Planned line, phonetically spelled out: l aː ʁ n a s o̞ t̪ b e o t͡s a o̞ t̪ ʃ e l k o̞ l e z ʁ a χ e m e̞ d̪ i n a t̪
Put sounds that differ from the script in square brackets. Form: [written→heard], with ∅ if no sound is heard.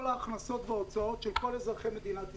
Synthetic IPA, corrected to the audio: l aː [ʁ→χ] n a s o̞ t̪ [b→v] e o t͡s a o̞ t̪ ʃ e l k o̞ l e z ʁ a χ e m e̞ d̪ i n a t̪